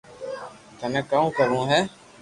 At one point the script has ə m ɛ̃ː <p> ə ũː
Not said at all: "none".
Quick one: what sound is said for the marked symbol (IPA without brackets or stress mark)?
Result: k